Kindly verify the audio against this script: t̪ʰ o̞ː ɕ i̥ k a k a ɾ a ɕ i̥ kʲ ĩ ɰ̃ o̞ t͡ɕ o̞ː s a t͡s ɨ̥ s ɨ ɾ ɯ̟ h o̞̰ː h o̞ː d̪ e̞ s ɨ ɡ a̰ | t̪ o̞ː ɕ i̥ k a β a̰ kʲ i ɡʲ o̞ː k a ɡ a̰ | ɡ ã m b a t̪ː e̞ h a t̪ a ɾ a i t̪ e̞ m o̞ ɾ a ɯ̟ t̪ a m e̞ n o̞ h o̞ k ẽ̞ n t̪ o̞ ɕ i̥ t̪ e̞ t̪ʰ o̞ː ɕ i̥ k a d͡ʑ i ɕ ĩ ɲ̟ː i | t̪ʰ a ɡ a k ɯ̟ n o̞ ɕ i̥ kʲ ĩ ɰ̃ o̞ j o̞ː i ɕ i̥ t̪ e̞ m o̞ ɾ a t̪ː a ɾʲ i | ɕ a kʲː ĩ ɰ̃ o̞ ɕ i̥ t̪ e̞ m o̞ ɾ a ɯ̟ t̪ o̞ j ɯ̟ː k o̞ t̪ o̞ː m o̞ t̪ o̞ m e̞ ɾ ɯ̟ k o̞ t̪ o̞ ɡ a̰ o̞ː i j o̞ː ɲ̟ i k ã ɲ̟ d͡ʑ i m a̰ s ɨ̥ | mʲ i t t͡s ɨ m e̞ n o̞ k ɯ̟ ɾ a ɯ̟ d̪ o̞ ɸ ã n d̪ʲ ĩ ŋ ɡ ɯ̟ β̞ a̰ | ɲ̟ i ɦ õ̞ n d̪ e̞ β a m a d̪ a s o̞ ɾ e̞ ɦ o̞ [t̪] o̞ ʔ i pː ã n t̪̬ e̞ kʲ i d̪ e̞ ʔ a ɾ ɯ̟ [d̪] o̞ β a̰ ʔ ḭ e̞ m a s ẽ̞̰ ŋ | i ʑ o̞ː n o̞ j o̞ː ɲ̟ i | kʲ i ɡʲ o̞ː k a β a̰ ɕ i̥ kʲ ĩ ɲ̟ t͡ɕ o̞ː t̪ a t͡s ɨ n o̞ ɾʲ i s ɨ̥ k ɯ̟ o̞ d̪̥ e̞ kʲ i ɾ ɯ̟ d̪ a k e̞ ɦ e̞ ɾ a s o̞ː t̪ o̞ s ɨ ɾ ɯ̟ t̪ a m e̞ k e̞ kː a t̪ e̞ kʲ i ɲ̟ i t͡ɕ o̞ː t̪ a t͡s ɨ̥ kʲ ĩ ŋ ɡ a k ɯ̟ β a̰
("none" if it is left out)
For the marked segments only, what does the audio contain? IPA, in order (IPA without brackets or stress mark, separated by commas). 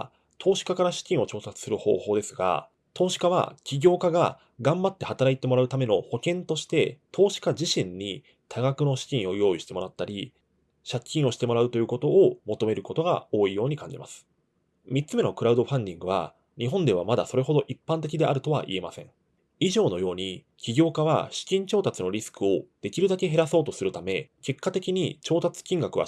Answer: d̪, t̪